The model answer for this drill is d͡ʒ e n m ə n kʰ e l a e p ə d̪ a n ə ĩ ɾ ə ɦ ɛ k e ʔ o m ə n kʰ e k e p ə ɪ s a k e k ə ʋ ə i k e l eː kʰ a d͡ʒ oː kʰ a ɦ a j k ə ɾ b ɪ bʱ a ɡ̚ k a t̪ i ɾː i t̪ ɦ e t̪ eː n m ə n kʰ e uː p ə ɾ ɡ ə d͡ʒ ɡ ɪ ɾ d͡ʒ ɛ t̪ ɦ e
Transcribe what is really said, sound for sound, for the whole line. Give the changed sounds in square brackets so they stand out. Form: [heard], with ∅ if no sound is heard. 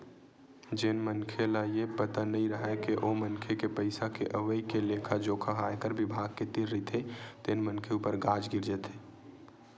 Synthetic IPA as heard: d͡ʒ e n m ə n kʰ e l a e p ə [t̪] a n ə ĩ ɾ ə ɦ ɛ k e ʔ o m ə n kʰ e k e p ə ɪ s a k e [ʔ] ə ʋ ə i k e l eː kʰ a d͡ʒ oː kʰ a ɦ a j k ə ɾ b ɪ bʱ a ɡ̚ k [e] t̪ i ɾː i t̪ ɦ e t̪ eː n m ə n kʰ e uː p ə ɾ ɡ [a] d͡ʒ ɡ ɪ ɾ d͡ʒ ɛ t̪ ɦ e